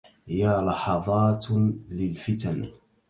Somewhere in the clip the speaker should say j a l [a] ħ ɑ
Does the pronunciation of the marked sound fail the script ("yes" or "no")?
yes